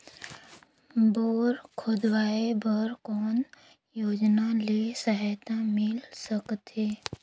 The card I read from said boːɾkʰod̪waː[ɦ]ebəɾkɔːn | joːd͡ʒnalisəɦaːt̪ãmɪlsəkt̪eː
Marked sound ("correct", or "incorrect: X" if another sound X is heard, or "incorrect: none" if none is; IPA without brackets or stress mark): incorrect: none